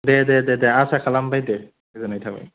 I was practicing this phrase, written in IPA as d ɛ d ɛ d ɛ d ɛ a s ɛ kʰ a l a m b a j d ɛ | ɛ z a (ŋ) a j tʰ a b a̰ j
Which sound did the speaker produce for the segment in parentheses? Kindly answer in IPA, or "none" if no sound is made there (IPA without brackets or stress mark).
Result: n